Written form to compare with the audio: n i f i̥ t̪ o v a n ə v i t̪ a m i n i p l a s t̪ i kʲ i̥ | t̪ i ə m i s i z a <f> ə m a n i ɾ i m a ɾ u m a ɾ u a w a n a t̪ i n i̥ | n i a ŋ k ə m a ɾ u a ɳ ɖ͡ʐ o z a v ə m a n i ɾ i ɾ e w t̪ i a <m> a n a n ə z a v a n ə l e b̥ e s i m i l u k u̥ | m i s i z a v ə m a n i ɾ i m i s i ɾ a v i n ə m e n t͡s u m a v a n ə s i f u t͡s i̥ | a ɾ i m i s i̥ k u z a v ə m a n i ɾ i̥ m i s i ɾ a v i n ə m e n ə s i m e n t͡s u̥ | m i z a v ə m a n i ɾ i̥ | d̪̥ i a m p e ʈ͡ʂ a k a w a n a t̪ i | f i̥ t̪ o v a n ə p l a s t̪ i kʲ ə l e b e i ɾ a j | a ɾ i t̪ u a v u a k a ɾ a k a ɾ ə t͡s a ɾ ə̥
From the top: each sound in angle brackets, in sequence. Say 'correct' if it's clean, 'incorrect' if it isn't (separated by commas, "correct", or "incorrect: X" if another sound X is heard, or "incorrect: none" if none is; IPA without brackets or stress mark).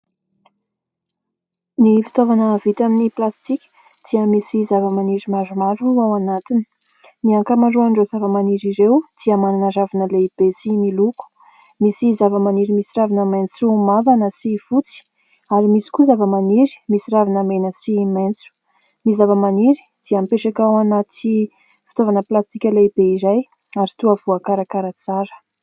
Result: incorrect: v, correct